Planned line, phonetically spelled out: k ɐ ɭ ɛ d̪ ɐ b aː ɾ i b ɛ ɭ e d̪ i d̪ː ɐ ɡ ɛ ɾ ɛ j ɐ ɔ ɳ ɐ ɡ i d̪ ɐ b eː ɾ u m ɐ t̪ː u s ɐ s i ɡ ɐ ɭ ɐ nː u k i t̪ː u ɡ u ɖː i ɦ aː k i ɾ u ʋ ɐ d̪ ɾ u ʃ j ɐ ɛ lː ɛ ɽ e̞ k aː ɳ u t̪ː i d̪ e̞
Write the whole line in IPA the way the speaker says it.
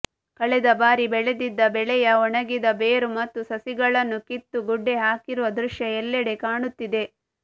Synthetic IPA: k ɐ ɭ ɛ d̪ ɐ b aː ɾ i b ɛ ɭ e d̪ i d̪ː ɐ b ɛ ɭ ɛ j ɐ ɔ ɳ ɐ ɡ i d̪ ɐ b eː ɾ u m ɐ t̪ː u s ɐ s i ɡ ɐ ɭ ɐ nː u k i t̪ː u ɡ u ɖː e ɦ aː k i ɾ u ʋ ɐ d̪ ɾ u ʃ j ɐ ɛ lː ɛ ɽ e̞ k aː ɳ u t̪ː i d̪ e̞